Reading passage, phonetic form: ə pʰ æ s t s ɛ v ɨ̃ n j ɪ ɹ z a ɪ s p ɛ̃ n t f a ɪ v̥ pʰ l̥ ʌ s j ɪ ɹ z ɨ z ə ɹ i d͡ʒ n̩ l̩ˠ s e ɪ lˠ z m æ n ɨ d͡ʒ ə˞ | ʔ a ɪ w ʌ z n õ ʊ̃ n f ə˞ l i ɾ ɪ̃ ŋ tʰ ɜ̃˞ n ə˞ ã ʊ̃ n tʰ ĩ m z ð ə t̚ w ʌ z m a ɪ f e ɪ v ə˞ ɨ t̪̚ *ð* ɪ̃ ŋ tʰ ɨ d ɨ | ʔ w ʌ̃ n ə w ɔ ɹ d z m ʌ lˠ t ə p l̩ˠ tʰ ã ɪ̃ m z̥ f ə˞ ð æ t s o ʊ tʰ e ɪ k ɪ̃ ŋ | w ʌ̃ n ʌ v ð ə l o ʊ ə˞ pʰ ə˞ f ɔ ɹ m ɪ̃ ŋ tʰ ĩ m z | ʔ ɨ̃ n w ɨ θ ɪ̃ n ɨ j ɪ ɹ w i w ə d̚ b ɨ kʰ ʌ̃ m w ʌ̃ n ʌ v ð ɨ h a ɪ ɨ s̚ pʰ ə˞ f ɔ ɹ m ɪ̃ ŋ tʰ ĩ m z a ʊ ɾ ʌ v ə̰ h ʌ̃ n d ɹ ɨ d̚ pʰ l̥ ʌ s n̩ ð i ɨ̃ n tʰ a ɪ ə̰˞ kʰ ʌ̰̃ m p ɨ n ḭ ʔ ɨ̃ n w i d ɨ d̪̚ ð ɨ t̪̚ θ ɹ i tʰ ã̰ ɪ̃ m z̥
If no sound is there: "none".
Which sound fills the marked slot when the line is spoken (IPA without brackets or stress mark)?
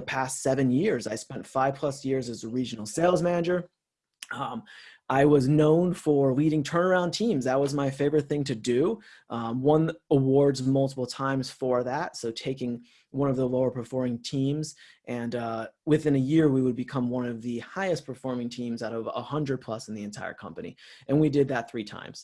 θ